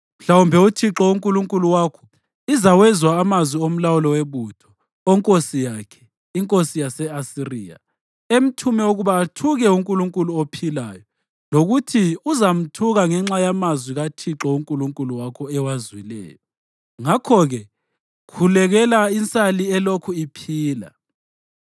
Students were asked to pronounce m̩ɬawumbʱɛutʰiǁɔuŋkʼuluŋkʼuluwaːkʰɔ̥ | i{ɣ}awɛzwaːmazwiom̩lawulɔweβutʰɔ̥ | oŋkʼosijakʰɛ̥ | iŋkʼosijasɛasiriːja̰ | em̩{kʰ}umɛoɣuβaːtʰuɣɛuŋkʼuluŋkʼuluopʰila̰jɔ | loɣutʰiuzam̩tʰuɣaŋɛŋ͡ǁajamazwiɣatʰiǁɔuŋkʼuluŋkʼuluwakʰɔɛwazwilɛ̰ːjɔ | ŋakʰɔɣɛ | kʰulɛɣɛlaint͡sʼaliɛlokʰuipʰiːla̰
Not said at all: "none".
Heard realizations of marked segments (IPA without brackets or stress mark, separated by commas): z, tʰ